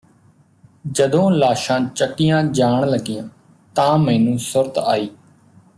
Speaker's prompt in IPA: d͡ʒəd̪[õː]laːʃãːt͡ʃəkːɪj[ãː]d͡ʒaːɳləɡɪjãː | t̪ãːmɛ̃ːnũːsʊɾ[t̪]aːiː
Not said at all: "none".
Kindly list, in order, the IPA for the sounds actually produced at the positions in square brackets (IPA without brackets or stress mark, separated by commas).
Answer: õː, ãː, t̪